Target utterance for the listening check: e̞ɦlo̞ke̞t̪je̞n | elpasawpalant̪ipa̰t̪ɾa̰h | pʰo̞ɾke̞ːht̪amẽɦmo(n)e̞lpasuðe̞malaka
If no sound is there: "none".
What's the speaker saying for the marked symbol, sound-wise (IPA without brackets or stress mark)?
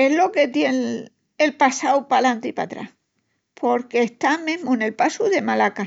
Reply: n